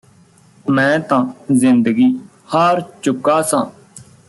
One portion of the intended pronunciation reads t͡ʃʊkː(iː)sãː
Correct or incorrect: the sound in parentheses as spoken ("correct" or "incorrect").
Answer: incorrect